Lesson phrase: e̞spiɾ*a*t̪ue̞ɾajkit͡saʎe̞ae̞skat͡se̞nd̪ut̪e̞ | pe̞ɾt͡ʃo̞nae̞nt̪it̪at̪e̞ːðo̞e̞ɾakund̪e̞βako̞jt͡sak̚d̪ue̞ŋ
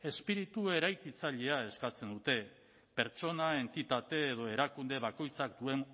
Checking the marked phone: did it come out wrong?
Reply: yes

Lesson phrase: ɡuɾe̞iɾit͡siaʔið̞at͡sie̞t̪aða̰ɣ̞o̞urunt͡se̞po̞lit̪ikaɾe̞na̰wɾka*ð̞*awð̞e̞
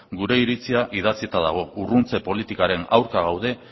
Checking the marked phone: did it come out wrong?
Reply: yes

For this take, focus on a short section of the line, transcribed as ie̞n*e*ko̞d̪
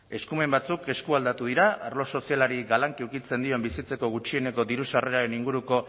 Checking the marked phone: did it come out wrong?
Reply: no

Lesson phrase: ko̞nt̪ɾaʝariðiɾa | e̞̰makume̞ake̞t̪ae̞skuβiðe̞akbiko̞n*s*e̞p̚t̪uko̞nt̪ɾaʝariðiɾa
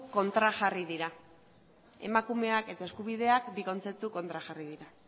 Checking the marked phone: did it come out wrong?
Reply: yes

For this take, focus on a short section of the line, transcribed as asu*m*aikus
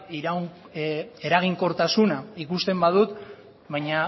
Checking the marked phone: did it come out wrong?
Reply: yes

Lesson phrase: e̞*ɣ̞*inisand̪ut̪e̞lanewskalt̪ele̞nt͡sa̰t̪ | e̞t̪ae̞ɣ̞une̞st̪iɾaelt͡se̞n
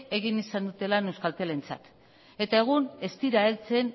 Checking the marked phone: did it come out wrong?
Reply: no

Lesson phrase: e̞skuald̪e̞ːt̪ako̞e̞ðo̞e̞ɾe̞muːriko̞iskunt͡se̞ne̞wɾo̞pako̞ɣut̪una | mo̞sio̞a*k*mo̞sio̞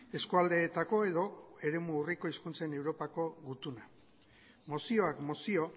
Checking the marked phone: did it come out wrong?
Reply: no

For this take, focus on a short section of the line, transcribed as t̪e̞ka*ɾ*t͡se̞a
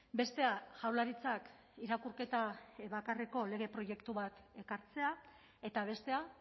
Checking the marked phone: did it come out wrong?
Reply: no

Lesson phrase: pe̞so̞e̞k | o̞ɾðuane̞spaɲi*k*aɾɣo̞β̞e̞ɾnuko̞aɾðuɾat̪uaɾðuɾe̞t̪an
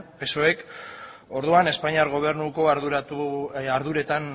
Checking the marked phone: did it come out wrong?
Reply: yes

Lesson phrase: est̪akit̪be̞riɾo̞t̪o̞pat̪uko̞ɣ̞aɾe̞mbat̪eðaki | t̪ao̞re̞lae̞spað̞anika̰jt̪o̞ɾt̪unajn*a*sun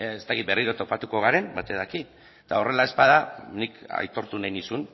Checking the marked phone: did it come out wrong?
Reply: yes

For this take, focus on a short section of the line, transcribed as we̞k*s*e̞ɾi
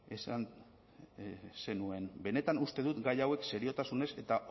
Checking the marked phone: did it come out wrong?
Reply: no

